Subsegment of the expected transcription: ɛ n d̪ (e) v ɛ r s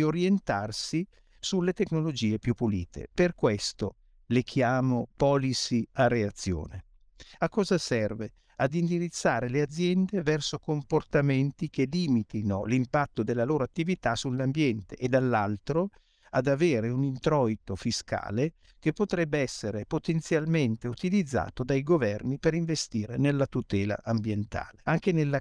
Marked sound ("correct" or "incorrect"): correct